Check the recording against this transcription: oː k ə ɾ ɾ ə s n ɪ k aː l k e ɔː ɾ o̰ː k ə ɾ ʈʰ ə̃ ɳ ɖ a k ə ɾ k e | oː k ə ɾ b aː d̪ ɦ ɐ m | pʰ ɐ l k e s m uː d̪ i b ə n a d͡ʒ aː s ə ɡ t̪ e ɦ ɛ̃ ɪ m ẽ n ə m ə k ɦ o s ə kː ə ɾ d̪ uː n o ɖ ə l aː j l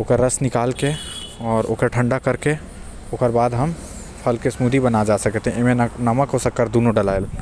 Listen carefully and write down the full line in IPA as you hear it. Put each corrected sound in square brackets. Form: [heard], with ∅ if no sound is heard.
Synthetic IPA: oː k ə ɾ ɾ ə s n ɪ k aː l k e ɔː ɾ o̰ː k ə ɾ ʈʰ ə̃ ɳ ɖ a k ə ɾ k e | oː k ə ɾ b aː d̪ ɦ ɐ m | pʰ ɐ l k e s m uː d̪ i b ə n a d͡ʒ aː s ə [k] t̪ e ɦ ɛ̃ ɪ m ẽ n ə m ə k ɦ o s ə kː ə ɾ d̪ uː n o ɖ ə l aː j l

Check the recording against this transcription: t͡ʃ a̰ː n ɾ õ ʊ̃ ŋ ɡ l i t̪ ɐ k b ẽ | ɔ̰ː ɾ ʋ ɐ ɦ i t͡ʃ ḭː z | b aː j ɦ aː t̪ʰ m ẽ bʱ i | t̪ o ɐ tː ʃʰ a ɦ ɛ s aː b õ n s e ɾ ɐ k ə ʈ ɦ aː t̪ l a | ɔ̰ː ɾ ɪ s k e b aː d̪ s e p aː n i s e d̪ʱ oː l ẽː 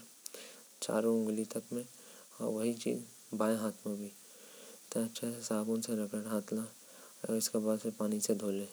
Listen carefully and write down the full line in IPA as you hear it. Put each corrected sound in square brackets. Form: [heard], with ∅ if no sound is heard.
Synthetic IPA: t͡ʃ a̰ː [∅] ɾ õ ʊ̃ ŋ ɡ l i t̪ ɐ k [m] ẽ | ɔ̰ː ɾ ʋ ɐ ɦ i t͡ʃ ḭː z | b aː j ɦ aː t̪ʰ m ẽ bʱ i | t̪ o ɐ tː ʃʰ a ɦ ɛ s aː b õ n s e ɾ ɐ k ə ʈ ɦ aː t̪ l a | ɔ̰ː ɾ ɪ s k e b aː d̪ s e p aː n i s e d̪ʱ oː l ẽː

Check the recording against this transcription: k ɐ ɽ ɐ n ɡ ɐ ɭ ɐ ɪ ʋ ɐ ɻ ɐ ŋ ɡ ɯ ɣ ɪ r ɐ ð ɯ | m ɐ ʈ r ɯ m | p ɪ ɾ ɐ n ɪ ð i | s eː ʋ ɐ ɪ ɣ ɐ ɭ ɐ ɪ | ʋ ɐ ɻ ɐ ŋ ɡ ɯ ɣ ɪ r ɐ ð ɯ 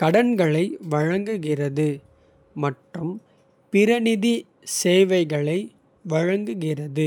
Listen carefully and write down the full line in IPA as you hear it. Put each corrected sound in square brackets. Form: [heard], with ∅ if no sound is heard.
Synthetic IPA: k ɐ ɽ ɐ n ɡ ɐ ɭ ɐ ɪ ʋ ɐ ɻ ɐ ŋ ɡ ɯ ɣ ɪ r ɐ ð ɯ | m ɐ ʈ r ɯ m | p ɪ ɾ ɐ n ɪ ð i | s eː ʋ ɐ ɪ ɣ ɐ ɭ ɐ ɪ | ʋ ɐ ɻ ɐ ŋ ɡ ɯ ɣ ɪ r ɐ ð ɯ

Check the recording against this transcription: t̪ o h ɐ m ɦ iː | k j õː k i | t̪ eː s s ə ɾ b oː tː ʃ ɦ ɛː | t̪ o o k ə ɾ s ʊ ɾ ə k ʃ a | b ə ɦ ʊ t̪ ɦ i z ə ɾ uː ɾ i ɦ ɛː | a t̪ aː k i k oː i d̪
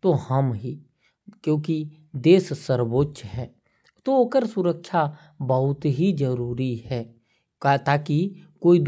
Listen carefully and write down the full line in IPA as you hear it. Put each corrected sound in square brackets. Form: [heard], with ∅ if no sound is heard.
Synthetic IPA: t̪ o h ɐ m ɦ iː | k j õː k i | [d̪] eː s s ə ɾ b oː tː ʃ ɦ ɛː | t̪ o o k ə ɾ s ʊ ɾ ə k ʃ a | b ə ɦ ʊ t̪ ɦ i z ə ɾ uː ɾ i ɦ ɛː | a t̪ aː k i k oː i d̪

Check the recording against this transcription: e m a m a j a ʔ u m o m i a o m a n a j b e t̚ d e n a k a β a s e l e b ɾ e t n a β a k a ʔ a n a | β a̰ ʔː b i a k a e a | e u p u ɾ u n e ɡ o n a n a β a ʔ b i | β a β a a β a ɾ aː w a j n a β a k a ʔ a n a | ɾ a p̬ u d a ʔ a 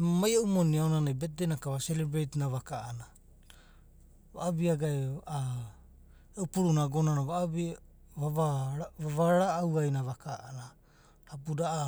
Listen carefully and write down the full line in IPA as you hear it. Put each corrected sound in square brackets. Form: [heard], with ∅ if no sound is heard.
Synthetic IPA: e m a m a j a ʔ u m o [n] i a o [n] a n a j b e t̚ d e n a k a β a s e l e b ɾ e t n a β a k a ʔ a n a | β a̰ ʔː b i a [ɡ] a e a | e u p u ɾ u n [a] ɡ o n a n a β a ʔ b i | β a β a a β a ɾ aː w a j n a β a k a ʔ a n a | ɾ a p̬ u d a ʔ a

